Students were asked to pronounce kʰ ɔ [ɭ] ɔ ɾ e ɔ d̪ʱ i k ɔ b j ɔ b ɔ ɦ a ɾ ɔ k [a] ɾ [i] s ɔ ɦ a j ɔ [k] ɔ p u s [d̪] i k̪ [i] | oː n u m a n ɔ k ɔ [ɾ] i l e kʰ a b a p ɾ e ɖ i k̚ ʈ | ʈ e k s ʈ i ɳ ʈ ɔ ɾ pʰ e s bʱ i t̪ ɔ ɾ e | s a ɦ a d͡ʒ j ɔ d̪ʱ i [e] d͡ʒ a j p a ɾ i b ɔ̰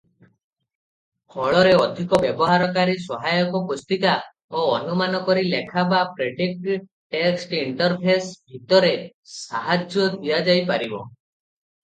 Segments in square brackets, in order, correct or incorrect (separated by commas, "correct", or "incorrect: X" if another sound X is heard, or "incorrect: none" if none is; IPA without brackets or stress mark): correct, correct, correct, correct, incorrect: t̪, incorrect: a, correct, incorrect: a